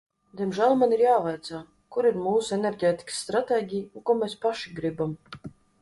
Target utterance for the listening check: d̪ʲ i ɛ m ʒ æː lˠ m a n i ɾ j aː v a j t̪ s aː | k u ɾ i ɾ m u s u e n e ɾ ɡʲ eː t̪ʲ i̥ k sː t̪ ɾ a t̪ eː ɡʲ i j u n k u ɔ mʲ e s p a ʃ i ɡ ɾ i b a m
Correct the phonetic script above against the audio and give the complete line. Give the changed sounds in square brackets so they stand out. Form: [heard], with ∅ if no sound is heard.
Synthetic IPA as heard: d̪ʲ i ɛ m ʒ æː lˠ m a n i ɾ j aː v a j t̪ s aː | k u ɾ i ɾ m [uː] s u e n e ɾ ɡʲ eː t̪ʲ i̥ k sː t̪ ɾ a t̪ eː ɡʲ i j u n k u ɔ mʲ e s p a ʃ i ɡ ɾ i b a m